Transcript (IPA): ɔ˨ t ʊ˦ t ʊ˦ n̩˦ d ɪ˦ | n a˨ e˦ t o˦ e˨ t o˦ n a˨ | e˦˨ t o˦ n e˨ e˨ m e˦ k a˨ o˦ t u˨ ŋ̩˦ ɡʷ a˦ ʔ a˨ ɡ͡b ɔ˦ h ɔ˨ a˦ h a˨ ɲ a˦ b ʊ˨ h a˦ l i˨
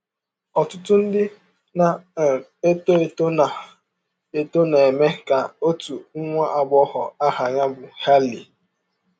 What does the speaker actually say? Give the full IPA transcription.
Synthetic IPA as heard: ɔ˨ t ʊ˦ t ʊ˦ n̩˦ d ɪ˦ | n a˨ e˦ t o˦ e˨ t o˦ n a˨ | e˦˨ t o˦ n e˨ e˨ m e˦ k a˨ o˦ t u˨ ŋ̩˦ ŋʷ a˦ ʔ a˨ ɡ͡b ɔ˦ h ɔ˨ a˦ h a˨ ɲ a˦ b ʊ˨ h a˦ l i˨

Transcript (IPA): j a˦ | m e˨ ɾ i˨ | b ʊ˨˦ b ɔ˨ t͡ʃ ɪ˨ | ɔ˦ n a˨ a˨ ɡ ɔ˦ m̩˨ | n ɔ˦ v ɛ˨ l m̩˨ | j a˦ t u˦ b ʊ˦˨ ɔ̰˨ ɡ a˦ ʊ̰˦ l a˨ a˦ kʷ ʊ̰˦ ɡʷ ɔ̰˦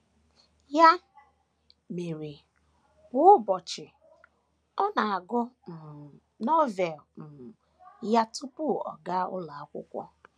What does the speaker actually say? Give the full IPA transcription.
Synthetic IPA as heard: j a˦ | m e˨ ɾ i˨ | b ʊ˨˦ b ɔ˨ t͡ʃ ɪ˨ | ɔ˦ n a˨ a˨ ɡ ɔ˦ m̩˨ | n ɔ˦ v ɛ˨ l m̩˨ | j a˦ t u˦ p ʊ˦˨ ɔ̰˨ ɡ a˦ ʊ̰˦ l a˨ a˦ kʷ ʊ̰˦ kʷ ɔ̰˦

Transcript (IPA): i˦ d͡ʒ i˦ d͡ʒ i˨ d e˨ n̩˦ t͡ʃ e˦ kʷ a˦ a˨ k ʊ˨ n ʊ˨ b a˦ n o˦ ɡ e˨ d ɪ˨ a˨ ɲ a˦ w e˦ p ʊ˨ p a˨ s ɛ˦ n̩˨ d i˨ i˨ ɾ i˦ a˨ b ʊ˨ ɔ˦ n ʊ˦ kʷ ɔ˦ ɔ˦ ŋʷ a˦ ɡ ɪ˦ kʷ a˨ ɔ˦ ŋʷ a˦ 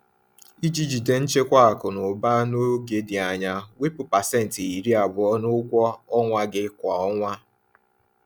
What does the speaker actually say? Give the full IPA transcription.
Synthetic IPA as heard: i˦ d͡ʒ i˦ d͡ʒ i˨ d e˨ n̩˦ t͡ʃ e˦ kʷ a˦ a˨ k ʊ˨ n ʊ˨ b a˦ n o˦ ɡ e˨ d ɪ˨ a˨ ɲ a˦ w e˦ p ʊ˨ p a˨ s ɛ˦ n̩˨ t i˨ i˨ ɾ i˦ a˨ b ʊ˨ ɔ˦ n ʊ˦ kʷ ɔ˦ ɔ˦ ŋʷ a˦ ɡ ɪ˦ kʷ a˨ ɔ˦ ŋʷ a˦

